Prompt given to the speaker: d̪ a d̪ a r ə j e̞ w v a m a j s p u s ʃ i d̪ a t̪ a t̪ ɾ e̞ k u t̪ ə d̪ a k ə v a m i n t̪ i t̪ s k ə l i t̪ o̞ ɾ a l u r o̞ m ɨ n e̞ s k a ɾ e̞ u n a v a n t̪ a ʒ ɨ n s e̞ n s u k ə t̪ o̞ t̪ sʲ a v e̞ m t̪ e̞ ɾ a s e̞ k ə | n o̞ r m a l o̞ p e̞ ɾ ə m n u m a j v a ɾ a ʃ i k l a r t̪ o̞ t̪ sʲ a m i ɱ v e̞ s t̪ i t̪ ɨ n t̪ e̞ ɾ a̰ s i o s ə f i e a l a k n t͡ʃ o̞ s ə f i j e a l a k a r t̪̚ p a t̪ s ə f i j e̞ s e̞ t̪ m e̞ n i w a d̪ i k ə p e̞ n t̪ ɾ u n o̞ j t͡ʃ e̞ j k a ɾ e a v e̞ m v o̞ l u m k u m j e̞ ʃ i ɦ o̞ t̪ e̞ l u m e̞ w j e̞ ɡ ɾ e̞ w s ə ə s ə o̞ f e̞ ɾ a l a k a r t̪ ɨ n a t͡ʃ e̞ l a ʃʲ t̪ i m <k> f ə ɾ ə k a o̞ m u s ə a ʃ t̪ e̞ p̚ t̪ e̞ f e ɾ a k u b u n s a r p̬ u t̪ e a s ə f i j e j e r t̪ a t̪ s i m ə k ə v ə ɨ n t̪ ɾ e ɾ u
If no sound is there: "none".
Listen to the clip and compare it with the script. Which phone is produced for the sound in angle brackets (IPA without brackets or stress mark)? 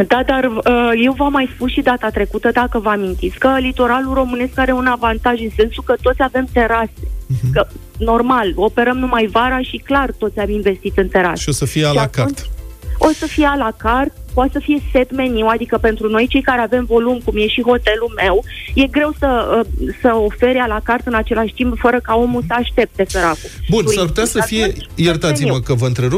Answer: p